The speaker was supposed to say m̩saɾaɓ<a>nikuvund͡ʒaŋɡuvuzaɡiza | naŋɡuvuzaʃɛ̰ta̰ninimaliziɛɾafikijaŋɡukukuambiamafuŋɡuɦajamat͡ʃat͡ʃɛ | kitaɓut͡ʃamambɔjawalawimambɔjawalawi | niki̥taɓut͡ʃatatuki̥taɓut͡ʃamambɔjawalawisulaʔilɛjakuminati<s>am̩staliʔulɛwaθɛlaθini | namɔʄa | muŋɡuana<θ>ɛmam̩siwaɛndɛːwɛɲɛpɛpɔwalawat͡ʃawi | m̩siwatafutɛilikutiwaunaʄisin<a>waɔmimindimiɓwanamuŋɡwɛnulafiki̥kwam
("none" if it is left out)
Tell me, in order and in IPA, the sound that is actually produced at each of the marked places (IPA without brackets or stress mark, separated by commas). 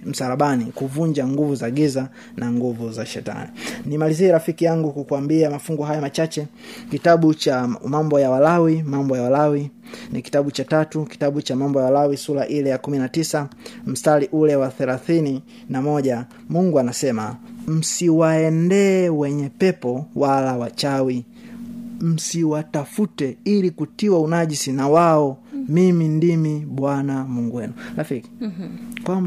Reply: a, s, s, a